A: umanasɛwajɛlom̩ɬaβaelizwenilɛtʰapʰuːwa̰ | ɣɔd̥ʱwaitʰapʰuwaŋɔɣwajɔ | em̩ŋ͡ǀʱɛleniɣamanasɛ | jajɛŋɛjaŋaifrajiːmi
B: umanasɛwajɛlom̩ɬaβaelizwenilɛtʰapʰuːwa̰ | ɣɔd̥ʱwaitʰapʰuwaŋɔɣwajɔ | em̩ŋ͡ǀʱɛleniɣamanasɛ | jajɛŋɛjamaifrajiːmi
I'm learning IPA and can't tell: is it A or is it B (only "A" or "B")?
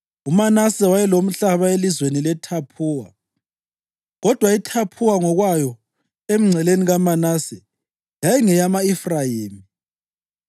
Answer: B